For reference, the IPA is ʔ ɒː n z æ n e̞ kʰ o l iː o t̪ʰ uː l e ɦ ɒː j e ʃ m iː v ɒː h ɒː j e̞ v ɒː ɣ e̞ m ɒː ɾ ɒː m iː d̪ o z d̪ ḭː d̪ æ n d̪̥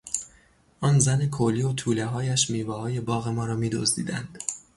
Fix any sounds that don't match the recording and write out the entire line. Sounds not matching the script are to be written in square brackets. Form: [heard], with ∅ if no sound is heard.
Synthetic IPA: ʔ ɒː n z æ n e̞ kʰ o l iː o t̪ʰ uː l e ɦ ɒː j [æ] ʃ m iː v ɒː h ɒː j e̞ [b] ɒː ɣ e̞ m ɒː ɾ ɒː m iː d̪ o z d̪ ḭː d̪ æ n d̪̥